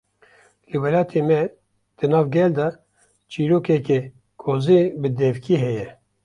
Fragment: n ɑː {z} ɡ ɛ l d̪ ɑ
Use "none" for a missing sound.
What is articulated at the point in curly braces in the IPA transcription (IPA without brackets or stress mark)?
v